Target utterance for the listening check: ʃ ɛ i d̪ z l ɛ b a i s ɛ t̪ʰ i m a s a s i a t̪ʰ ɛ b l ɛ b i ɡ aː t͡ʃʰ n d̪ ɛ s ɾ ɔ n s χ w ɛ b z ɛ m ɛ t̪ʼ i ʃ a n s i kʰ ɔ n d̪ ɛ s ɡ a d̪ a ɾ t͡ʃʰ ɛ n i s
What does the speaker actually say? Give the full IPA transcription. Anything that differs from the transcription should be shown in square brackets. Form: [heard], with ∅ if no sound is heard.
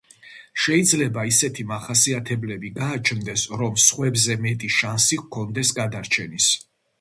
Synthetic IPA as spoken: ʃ ɛ i d̪ z l ɛ b a i s ɛ t̪ʰ i m a [χ] a s i a t̪ʰ ɛ b l ɛ b i ɡ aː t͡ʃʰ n d̪ ɛ s ɾ ɔ [m] s χ w ɛ b z ɛ m ɛ t̪ʼ i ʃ a n s i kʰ ɔ n d̪ ɛ s ɡ a d̪ a ɾ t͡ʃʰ ɛ n i s